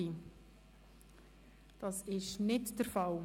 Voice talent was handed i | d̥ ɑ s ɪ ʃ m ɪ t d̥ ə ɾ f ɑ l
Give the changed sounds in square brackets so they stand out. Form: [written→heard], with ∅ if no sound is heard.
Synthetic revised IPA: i | d̥ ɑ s ɪ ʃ [m→n] ɪ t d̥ ə ɾ f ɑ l